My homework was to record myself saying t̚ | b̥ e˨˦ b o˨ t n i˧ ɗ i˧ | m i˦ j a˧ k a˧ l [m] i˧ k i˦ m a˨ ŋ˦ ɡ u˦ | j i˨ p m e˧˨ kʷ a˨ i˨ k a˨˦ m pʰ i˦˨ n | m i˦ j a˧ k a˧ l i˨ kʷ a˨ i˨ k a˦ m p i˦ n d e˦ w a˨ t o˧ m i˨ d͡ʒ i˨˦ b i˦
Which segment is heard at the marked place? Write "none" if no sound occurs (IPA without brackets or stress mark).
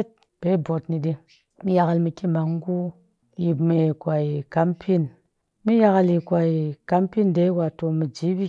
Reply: m